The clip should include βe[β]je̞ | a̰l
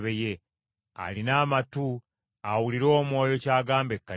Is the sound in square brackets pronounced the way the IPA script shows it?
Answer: no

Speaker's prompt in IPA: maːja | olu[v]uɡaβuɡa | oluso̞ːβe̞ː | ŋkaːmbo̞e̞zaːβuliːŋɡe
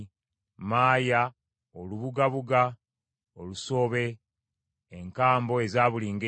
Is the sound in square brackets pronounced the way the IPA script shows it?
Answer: no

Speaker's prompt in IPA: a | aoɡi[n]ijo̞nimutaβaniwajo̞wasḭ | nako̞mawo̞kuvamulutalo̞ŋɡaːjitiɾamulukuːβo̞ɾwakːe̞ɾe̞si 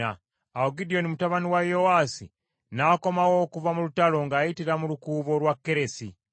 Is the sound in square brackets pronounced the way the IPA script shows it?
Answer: no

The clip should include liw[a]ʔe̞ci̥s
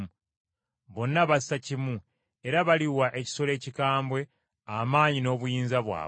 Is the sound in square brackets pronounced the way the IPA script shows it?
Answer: yes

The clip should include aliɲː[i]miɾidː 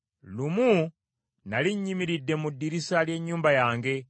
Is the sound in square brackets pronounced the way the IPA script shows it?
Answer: yes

